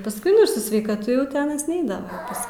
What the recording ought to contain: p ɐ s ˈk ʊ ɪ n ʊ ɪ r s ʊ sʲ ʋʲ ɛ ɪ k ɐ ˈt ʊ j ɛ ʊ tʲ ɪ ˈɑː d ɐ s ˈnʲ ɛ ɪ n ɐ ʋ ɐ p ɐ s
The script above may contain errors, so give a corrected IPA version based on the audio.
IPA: p ɐ s ˈk ʊ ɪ n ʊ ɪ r s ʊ sʲ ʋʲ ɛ ɪ k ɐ ˈt ʊ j ɛ ʊ tʲ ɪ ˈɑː n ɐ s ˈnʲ ɛ ɪ d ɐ ʋ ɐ p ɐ s